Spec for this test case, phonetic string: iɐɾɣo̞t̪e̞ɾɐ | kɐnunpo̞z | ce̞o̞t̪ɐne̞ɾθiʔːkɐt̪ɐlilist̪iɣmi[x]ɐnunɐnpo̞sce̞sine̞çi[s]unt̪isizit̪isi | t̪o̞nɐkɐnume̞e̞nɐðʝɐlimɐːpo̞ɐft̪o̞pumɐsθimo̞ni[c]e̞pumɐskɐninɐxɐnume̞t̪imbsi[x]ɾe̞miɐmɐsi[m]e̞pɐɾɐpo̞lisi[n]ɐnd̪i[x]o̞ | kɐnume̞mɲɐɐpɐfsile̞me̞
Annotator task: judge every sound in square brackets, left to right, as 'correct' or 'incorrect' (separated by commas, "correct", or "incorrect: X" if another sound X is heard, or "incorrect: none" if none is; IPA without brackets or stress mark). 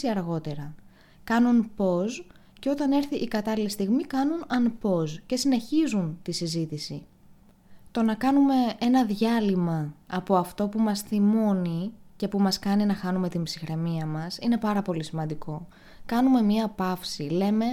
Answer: incorrect: k, incorrect: z, correct, correct, incorrect: n, incorrect: m, incorrect: k